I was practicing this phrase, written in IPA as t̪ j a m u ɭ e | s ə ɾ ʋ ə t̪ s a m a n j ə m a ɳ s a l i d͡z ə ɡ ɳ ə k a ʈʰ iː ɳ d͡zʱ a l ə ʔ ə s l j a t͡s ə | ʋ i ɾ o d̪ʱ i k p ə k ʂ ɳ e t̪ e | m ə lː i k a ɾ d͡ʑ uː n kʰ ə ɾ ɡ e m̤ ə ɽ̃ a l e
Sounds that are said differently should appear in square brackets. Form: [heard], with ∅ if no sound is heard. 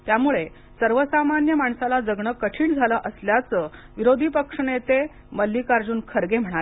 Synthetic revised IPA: t̪ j a m u ɭ e | s ə ɾ ʋ ə [∅] s a m a n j ə m a ɳ s a l [a] d͡z ə ɡ ɳ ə k [ə] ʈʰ iː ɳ d͡zʱ a l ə ʔ ə s l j a t͡s ə | ʋ i ɾ o d̪ʱ i [∅] p ə k ʂ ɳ e t̪ e | m ə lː i k a ɾ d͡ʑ uː n kʰ ə ɾ ɡ e m̤ ə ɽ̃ a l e

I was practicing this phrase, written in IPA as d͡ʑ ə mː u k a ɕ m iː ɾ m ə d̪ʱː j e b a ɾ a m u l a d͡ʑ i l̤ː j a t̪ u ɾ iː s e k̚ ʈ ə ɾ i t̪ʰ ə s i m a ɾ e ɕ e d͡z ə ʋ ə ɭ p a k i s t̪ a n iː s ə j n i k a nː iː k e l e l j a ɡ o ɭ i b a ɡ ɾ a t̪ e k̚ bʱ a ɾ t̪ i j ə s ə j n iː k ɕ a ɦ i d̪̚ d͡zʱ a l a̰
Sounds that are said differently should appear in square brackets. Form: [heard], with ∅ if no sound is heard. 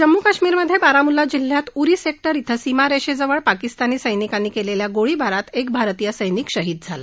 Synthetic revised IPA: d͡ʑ ə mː u k a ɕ m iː ɾ m ə d̪ʱː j e b a ɾ a m u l a d͡ʑ i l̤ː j a t̪ u ɾ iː s e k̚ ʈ ə ɾ i t̪ʰ ə s i m a ɾ e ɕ e d͡z ə ʋ ə ɭ p a k i s t̪ a n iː s ə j n i k a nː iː k e l e l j a ɡ o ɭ i b a [∅] ɾ a t̪ e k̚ bʱ a ɾ t̪ i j ə s ə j n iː k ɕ [ə] ɦ i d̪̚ d͡zʱ a l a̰

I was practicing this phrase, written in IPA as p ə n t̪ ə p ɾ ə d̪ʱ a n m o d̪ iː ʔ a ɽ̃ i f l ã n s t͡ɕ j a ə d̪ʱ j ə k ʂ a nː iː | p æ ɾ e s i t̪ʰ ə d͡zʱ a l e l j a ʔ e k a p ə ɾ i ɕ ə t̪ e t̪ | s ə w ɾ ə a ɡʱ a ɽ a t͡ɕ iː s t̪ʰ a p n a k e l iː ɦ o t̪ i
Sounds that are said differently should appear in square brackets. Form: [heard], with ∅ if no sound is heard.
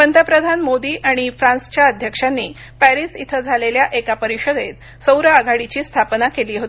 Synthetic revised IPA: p ə n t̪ ə p ɾ ə d̪ʱ a n m o d̪ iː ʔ a ɽ̃ i f [ɾ] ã n s t͡ɕ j a ə d̪ʱ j ə k ʂ a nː iː | p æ ɾ [i] s i t̪ʰ ə d͡zʱ a l e l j a ʔ e k a p ə ɾ i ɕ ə [d̪] e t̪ | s ə w ɾ ə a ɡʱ a ɽ [i] t͡ɕ iː s t̪ʰ a p n a k e l iː ɦ o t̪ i

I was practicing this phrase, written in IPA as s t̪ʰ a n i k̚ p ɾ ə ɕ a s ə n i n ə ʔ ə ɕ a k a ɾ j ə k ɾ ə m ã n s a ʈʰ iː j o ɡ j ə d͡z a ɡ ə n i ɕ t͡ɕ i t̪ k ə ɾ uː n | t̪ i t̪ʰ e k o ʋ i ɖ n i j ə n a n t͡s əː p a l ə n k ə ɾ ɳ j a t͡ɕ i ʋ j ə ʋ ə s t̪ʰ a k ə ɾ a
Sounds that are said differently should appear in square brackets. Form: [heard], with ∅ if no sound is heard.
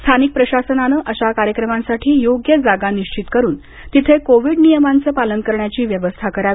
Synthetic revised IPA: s t̪ʰ a n i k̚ p ɾ ə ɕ a s ə n [a] n ə ʔ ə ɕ a k a ɾ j ə k ɾ ə m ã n s a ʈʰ iː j o ɡ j ə d͡z a ɡ [a] n i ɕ t͡ɕ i t̪ k ə ɾ uː n | t̪ i t̪ʰ e k o ʋ i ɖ n i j ə [m] a n t͡s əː p a l ə n k ə ɾ ɳ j a t͡ɕ [iː] ʋ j ə ʋ ə s t̪ʰ a k ə ɾ a

